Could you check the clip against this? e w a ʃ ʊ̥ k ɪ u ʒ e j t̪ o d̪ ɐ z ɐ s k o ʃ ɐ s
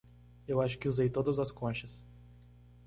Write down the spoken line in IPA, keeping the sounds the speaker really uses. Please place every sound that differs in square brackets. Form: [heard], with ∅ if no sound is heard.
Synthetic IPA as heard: e w a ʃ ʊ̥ k ɪ u [z] e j t̪ o d̪ ɐ z ɐ s k [õ] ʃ ɐ s